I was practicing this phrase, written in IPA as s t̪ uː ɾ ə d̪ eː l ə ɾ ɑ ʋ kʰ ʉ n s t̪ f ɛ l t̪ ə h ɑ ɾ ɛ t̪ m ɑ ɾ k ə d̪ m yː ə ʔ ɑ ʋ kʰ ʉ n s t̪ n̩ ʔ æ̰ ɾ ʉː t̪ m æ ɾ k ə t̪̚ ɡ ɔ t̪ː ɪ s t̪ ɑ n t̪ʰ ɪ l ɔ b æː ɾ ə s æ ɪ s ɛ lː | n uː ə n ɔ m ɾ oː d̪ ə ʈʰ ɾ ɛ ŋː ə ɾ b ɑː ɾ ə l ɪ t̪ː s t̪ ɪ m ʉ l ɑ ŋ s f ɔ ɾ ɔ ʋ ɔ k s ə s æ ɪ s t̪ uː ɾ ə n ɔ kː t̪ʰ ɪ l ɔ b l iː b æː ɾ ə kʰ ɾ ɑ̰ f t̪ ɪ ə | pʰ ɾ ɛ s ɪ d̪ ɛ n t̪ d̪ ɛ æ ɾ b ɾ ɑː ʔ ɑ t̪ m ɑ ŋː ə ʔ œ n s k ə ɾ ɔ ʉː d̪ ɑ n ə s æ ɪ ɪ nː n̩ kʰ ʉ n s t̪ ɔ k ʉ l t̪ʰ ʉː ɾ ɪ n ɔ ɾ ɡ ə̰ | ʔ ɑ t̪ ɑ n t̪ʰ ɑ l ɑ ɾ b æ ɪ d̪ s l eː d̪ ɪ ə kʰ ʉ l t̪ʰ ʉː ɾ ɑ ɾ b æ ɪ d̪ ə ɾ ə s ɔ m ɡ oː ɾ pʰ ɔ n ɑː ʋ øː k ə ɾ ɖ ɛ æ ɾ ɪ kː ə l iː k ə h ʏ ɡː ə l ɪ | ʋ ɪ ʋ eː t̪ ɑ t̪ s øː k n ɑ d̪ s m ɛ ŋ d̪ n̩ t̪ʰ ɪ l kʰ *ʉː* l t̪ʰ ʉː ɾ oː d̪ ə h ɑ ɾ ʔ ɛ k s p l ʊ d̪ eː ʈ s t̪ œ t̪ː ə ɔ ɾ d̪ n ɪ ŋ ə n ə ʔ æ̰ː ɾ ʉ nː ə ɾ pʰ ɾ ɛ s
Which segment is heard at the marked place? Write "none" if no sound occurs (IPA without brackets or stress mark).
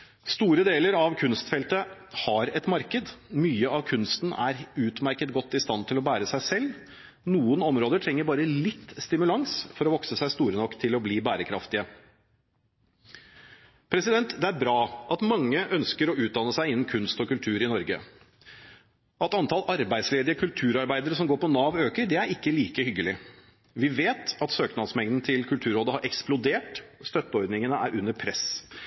ʉ